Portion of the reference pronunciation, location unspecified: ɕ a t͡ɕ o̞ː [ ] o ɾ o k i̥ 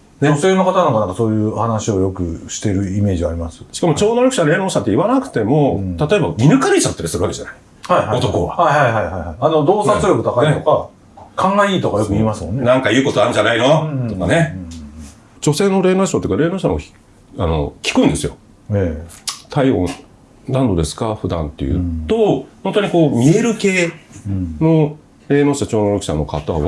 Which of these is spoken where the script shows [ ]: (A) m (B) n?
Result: B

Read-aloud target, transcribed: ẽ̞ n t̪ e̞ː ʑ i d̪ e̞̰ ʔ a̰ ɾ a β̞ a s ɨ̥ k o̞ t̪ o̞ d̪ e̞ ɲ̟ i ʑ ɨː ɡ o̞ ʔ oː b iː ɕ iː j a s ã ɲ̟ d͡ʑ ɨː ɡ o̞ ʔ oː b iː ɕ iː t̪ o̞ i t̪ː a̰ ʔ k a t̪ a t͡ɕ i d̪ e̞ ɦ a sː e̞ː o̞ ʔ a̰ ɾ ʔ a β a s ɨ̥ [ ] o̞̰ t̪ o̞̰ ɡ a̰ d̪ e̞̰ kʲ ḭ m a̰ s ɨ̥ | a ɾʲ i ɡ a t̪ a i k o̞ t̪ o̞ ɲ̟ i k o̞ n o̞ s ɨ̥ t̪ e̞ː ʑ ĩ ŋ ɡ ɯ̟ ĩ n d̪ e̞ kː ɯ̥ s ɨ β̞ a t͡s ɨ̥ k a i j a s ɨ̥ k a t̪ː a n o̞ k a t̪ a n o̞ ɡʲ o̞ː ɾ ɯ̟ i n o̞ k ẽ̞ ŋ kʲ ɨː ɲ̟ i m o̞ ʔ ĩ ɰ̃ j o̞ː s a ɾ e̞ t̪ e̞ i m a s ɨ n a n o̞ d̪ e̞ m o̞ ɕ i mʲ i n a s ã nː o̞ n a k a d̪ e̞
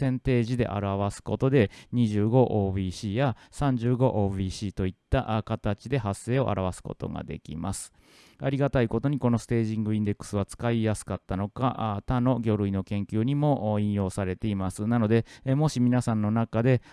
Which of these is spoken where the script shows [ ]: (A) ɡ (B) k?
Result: B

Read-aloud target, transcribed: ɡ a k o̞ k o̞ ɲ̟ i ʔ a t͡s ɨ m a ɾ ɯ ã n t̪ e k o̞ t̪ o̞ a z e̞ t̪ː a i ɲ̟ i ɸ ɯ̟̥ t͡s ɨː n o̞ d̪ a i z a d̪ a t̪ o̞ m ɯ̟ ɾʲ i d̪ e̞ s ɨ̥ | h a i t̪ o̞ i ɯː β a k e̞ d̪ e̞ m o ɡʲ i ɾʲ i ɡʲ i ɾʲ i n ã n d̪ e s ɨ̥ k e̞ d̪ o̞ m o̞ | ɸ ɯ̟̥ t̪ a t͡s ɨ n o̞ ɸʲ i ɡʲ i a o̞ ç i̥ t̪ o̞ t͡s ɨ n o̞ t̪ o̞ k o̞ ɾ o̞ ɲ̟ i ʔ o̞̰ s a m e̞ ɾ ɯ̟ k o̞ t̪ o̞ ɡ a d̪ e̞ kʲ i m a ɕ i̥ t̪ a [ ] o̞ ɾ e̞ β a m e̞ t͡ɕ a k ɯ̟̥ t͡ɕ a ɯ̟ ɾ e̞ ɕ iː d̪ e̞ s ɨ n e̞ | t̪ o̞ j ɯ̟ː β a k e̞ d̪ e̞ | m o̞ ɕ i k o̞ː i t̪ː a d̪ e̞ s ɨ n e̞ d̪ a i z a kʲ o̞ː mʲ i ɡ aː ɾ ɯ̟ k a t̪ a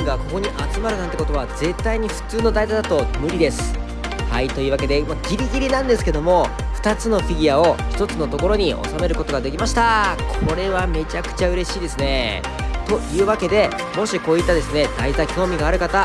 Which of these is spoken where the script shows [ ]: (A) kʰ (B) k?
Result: A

